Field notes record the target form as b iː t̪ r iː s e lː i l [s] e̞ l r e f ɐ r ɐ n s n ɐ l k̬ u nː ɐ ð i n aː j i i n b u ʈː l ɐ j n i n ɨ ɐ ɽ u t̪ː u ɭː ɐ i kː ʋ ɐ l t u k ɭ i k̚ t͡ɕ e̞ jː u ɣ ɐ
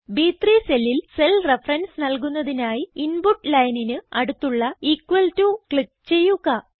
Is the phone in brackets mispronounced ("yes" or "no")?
no